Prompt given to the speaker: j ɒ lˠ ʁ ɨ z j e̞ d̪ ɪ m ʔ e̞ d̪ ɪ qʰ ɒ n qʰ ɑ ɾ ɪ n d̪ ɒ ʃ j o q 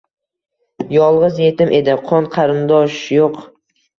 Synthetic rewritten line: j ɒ lˠ ʁ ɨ z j e̞ t̪ ɪ m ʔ e̞ d̪ ɪ qʰ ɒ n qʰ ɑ ɾ ɪ n d̪ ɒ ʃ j o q